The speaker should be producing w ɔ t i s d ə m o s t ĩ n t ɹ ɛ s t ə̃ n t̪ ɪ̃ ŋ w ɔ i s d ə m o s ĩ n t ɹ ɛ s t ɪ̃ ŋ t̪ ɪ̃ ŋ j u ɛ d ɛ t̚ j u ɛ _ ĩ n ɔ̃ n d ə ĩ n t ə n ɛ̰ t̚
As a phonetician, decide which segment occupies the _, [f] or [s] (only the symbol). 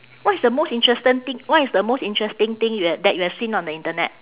s